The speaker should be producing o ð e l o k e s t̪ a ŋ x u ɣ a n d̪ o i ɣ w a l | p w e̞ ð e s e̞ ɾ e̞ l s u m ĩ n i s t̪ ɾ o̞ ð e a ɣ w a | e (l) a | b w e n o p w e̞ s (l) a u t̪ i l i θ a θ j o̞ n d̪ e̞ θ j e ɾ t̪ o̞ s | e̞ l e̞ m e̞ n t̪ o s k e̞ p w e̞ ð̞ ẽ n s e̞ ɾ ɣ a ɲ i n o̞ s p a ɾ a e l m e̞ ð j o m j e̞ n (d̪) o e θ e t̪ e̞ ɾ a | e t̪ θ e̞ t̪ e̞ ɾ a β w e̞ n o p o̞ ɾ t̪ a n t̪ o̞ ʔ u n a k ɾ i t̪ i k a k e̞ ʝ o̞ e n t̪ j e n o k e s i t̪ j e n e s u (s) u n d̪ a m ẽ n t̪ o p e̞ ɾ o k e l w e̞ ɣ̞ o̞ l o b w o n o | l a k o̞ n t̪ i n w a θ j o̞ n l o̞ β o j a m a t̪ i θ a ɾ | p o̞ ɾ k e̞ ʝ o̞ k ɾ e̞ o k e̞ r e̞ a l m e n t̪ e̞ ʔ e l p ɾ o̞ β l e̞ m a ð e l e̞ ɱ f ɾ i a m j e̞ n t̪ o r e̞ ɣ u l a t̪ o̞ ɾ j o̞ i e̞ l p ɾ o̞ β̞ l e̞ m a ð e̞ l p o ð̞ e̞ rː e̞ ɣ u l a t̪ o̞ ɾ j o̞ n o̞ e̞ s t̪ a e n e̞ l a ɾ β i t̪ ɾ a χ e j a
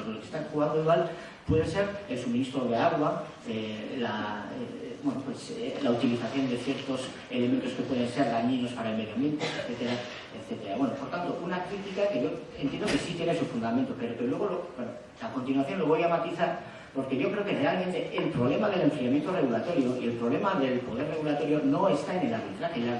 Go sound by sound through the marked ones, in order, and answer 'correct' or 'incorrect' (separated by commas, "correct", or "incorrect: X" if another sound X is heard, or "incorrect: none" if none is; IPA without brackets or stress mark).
correct, correct, incorrect: t̪, incorrect: f